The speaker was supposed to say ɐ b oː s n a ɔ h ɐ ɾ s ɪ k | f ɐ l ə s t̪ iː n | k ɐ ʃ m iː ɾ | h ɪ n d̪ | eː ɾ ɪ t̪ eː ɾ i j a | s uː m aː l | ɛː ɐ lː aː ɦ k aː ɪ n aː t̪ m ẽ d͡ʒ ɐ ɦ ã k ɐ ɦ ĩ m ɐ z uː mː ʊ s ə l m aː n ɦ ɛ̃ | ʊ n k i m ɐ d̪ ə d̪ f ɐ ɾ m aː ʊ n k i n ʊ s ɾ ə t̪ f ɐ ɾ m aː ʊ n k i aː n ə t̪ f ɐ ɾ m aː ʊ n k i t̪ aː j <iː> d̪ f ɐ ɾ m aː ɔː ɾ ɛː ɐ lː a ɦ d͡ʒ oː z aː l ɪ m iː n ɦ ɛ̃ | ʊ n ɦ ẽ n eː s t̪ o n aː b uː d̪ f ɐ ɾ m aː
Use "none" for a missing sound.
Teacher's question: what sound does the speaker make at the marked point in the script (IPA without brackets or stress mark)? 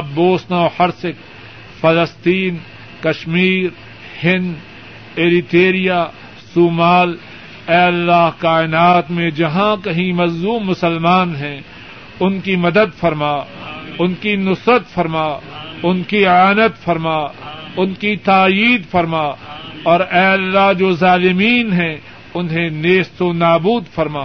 iː